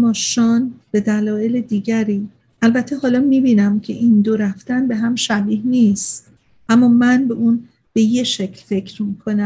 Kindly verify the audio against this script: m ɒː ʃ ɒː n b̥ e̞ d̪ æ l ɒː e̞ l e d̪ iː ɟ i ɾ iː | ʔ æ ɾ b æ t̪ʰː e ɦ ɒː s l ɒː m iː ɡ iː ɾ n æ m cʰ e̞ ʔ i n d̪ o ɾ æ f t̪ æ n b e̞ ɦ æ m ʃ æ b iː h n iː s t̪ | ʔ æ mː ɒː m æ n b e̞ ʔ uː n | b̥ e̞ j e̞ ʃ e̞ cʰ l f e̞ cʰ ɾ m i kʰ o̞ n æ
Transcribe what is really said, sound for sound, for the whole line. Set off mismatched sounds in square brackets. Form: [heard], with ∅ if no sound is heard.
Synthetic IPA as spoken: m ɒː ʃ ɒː n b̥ e̞ d̪ æ l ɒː e̞ l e d̪ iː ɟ [æ] ɾ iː | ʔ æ [l] b æ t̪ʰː e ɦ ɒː [∅] l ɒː m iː [b] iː [∅] n æ m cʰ e̞ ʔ i n d̪ o ɾ æ f t̪ æ n b e̞ ɦ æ m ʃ æ b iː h n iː s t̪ | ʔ æ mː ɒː m æ n b e̞ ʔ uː n | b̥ e̞ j e̞ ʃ e̞ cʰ l f e̞ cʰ ɾ m i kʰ o̞ n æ